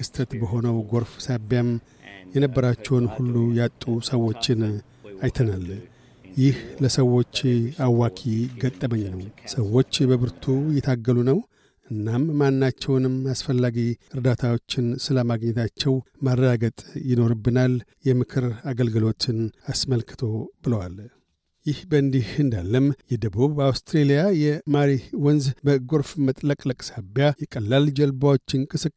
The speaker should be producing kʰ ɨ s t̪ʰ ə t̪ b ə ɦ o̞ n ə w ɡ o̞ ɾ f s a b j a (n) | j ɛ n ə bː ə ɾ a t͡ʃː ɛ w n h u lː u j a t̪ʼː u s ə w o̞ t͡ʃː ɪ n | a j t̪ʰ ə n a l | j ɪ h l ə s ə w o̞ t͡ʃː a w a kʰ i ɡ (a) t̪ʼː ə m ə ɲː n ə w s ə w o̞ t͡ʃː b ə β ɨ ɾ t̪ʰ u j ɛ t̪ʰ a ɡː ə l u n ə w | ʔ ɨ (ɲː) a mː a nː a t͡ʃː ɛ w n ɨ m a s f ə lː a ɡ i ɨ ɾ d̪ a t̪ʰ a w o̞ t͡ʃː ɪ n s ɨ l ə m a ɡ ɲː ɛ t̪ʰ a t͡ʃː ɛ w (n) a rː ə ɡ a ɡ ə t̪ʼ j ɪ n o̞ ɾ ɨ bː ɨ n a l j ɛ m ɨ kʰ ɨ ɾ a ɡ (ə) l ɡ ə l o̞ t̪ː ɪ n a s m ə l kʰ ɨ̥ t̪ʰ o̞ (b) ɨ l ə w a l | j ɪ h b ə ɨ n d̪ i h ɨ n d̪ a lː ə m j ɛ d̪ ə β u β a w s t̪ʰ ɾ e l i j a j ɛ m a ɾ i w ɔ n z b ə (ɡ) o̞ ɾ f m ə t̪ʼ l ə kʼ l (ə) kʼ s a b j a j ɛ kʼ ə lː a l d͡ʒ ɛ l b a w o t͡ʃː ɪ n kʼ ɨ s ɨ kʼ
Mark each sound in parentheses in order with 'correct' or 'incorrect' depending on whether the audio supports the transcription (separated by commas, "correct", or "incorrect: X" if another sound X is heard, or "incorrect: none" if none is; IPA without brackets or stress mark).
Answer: incorrect: m, incorrect: ə, incorrect: nː, incorrect: m, correct, correct, correct, correct